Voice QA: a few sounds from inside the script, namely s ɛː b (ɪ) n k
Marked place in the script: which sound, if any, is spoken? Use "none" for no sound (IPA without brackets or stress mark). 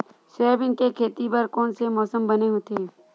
ɪ